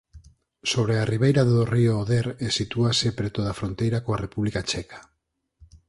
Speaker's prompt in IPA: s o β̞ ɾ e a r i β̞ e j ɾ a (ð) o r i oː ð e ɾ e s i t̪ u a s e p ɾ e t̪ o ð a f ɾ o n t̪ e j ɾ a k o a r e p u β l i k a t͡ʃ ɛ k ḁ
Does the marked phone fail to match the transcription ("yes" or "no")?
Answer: no